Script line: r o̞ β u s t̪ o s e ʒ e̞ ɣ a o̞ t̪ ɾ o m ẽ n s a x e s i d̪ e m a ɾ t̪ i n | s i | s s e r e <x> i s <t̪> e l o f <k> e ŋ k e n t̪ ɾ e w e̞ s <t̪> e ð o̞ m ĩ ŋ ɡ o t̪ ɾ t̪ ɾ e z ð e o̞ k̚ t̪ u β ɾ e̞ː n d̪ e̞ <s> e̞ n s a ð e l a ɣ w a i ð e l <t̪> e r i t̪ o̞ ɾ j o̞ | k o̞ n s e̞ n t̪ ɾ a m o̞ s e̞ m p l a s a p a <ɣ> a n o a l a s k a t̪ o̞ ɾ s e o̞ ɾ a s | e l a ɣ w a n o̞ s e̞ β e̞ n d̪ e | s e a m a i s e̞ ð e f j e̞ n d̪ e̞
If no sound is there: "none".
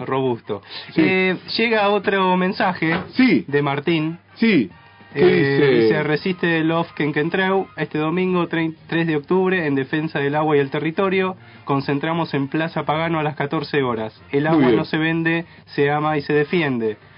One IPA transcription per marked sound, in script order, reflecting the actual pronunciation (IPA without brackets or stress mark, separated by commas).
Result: s, t̪, k, t̪, f, t̪, ɣ